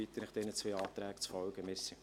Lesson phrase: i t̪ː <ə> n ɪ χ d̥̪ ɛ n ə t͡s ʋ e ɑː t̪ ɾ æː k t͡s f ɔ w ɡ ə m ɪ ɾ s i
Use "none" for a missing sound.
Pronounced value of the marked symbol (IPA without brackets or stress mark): ə